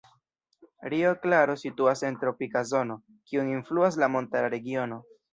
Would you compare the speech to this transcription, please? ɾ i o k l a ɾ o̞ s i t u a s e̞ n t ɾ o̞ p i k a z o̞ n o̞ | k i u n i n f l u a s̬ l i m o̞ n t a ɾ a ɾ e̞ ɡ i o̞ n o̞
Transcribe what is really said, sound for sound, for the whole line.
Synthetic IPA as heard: ɾ i o k l a ɾ o̞ s i t u a s e̞ n t ɾ o̞ p i k a z o̞ n o̞ | k i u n i n f l u a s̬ l a m o̞ n t a ɾ a ɾ e̞ ɡ i o̞ n o̞